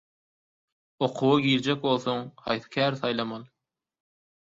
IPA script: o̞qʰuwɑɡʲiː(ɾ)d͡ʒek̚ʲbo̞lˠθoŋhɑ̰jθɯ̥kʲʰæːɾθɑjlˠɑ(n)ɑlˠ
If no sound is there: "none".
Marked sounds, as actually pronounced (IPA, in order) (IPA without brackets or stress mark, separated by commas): ɾ, m